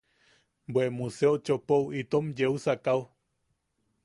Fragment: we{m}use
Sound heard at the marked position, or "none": m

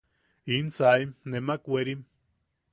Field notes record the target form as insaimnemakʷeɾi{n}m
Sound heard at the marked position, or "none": none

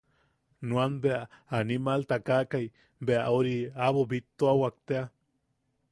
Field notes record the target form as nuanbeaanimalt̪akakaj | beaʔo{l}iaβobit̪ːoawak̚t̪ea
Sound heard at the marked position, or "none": ɾ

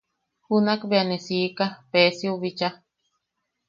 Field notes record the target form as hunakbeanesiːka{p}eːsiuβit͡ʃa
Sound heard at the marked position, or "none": p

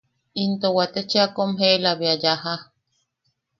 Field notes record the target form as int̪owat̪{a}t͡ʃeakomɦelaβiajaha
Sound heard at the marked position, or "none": e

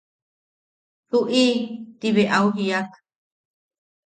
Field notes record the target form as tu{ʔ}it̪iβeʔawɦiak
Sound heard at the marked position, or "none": ʔ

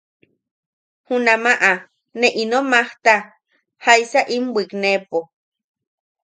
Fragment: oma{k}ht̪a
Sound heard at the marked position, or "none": none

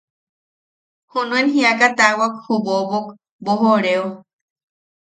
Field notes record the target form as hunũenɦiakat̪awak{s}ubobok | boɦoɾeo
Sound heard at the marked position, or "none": h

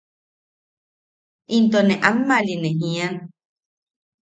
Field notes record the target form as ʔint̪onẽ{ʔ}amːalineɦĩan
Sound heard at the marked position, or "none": ʔ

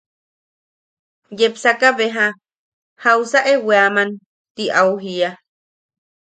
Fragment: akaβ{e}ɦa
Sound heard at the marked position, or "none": e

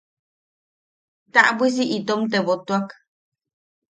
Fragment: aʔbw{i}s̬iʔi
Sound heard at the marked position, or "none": i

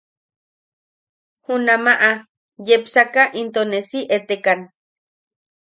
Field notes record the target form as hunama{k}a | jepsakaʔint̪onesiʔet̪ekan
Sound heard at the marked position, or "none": ʔ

